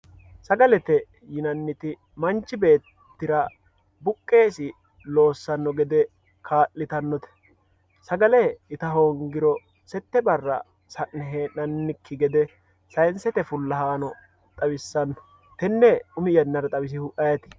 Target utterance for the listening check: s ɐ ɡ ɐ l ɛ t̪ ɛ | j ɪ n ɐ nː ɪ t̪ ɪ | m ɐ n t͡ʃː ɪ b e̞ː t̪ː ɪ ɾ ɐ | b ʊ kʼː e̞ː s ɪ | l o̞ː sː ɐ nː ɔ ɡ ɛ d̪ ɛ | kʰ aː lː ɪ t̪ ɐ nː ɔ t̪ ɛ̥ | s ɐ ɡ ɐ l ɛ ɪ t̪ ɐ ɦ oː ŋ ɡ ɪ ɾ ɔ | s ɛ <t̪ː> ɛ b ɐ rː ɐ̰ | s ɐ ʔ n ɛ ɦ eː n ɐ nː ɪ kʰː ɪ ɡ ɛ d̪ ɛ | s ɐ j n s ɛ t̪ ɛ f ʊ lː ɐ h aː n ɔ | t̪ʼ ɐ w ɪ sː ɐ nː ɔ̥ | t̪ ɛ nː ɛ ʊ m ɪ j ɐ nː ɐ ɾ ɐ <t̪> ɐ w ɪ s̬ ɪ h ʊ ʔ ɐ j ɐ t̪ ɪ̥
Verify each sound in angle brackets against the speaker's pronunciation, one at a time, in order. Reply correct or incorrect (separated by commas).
correct, incorrect